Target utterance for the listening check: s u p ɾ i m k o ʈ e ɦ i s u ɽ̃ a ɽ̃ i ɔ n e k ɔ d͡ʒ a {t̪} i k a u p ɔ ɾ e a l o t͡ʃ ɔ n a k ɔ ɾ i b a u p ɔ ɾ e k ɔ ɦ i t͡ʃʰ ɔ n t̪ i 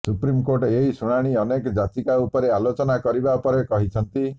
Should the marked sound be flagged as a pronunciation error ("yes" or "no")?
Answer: no